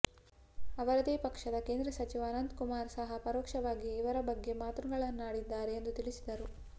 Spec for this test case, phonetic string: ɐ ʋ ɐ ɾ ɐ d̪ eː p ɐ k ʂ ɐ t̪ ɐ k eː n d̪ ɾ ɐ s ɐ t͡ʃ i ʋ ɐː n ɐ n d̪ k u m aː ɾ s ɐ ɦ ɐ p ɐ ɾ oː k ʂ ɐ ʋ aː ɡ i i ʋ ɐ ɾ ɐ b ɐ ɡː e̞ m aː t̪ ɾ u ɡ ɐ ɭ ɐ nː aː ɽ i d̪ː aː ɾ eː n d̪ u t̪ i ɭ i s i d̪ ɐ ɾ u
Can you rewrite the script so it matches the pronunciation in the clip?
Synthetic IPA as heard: ɐ ʋ ɐ ɾ ɐ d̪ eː p ɐ k ʂ ɐ d̪ ɐ k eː n d̪ ɾ ɐ s ɐ t͡ʃ i ʋ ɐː n ɐ n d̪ k u m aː ɾ s ɐ ɦ ɐ p ɐ ɾ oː k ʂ ɐ ʋ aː ɡ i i ʋ ɐ ɾ ɐ b ɐ ɡː e̞ m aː t̪ ɾ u ɡ ɐ ɭ ɐ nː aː ɽ i d̪ː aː ɾ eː n d̪ u t̪ i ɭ i s i d̪ ɐ ɾ u